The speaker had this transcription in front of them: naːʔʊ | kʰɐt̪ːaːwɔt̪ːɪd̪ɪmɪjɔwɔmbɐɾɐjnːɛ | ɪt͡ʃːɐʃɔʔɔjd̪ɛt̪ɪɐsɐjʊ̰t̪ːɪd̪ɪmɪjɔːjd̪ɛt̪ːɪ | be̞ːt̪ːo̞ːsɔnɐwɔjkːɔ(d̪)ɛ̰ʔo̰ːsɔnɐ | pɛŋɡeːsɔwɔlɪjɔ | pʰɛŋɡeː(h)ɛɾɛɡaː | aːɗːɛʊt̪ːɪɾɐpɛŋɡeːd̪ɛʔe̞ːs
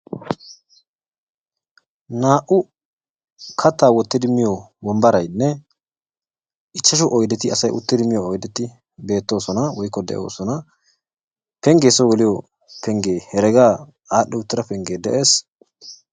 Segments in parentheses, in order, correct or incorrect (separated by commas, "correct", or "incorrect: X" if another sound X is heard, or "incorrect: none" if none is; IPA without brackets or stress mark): correct, correct